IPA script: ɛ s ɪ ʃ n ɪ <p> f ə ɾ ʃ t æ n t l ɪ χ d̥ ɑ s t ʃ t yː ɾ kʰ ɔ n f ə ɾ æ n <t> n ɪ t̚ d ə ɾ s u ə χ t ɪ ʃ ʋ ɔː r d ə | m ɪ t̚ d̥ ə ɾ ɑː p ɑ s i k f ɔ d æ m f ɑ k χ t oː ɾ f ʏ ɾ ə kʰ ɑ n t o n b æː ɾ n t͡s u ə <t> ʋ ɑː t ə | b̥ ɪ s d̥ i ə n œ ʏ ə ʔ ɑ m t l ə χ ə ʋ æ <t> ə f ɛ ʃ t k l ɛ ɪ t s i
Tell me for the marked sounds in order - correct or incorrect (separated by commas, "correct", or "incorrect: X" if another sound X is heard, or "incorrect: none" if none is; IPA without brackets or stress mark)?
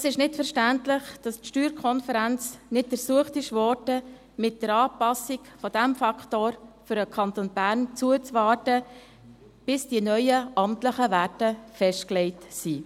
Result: incorrect: t, incorrect: t͡s, incorrect: t͡s, correct